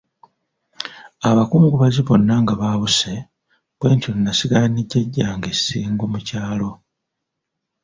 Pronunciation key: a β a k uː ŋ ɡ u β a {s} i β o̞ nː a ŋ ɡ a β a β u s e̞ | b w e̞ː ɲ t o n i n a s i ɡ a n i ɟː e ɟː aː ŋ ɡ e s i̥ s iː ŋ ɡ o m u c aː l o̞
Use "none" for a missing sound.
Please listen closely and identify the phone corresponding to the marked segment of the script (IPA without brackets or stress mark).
z